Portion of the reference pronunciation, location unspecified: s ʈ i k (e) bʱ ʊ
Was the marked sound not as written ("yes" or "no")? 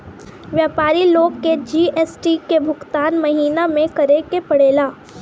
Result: no